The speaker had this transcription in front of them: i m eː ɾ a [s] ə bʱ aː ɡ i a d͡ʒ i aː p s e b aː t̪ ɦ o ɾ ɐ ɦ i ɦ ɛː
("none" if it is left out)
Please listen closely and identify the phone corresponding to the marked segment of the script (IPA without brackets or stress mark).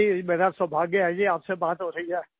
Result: s